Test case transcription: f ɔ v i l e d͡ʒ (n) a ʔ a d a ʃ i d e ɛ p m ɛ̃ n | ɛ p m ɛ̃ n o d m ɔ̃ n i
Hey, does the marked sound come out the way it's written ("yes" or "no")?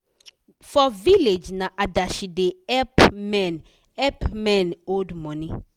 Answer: yes